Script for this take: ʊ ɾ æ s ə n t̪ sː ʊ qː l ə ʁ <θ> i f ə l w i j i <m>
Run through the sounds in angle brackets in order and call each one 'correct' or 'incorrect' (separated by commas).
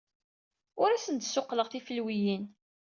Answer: correct, incorrect